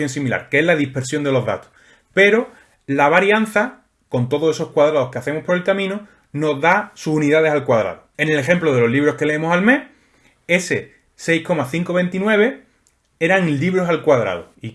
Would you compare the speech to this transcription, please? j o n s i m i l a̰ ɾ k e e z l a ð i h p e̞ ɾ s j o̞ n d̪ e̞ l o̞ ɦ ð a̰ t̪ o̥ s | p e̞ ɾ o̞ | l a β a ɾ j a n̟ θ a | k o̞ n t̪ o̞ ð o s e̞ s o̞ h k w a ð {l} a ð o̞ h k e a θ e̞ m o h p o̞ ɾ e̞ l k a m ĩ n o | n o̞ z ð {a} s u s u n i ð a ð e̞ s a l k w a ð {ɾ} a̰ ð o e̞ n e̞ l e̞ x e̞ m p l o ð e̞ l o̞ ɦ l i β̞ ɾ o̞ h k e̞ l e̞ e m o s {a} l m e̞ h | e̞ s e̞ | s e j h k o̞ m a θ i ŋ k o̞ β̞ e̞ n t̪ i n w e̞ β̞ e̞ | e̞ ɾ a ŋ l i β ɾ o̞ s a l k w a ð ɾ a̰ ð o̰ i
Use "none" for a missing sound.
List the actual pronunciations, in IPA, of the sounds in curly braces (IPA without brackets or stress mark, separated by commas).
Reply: ɾ, a, ɾ, a